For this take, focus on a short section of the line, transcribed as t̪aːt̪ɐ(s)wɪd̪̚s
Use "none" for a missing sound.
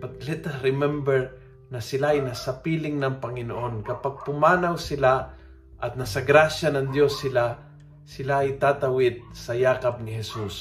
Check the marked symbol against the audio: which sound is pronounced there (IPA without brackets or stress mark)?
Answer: none